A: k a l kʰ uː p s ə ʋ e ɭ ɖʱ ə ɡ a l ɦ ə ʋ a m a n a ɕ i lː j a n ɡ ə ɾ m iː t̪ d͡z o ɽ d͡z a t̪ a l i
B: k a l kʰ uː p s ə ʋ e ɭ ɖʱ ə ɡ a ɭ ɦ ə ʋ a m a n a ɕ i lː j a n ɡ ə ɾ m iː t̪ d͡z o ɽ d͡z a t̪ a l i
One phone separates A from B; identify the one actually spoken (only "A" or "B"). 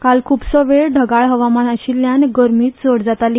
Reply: B